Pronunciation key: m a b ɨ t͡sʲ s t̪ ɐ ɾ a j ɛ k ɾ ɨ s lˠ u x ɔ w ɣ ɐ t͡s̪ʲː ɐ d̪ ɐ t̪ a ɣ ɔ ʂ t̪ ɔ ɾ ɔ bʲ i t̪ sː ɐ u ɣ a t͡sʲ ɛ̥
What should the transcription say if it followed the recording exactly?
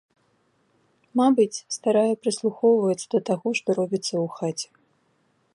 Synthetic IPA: m a b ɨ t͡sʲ s t̪ a ɾ a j ɛ p ɾ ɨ s lˠ u x ɔ w v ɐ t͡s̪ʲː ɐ d̪ ɐ t̪ a ɣ ɔ ʂ t̪ ɔ ɾ ɔ bʲ i t̪ sː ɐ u x a t͡sʲ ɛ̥